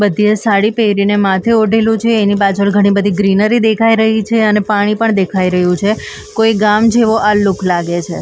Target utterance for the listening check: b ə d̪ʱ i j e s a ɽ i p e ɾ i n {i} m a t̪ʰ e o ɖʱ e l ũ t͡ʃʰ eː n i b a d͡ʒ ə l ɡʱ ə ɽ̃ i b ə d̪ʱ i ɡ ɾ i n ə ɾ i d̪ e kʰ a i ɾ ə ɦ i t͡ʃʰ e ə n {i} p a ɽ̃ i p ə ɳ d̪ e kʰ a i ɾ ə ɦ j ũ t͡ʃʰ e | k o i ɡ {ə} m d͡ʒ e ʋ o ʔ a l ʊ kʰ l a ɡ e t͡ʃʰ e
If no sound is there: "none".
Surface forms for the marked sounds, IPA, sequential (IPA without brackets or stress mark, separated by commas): e, e, a